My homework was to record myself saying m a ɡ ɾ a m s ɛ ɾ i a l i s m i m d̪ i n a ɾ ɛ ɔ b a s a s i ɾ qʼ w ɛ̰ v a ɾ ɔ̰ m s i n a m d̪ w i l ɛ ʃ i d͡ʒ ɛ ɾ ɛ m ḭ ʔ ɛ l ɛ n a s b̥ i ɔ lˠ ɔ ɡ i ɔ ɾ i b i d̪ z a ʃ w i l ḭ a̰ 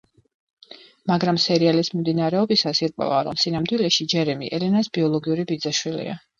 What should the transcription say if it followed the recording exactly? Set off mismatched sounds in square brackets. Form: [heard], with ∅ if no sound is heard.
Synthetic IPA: m a ɡ ɾ a m s ɛ ɾ i a l i s m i m d̪ i n a ɾ ɛ ɔ b [i] s a s i ɾ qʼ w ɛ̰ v a ɾ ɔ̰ m s i n a m d̪ w i l ɛ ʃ i d͡ʒ ɛ ɾ ɛ m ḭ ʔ ɛ l ɛ n a s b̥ i ɔ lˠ ɔ ɡ i [u] ɾ i b i d̪ z a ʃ w i l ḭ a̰